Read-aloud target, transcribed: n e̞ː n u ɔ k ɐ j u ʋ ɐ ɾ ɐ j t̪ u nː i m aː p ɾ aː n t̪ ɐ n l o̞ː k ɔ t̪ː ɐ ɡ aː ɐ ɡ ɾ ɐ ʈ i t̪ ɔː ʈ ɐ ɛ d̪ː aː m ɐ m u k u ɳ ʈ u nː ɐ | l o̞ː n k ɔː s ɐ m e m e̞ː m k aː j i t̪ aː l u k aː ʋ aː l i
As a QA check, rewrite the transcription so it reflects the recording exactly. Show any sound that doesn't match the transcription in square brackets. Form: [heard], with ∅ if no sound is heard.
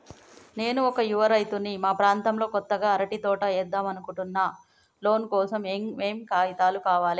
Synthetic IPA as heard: n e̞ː n u ɔ k ɐ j u ʋ ɐ ɾ ɐ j t̪ u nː i m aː p ɾ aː n t̪ ɐ [m] l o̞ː k ɔ t̪ː ɐ ɡ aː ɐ [∅] ɾ ɐ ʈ i t̪ ɔː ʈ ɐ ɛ d̪ː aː m ɐ [n] u k u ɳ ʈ u nː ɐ | l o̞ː n k ɔː s ɐ m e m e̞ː m k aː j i t̪ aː l u k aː ʋ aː l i